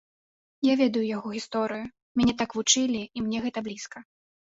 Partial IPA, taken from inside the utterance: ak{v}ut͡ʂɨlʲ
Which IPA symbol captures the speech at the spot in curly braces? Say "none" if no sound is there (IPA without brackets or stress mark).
v